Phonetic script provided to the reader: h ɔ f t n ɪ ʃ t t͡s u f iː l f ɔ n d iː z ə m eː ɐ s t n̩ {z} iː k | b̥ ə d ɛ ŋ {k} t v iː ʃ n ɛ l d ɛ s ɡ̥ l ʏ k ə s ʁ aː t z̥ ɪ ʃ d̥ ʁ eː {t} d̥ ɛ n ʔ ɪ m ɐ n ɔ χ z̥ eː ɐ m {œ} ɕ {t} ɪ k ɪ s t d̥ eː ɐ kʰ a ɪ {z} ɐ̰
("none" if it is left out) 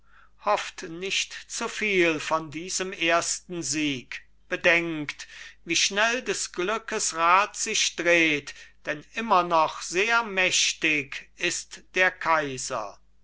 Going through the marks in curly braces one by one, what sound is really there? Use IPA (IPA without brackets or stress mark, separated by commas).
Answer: z, k, t, ɛ, t, z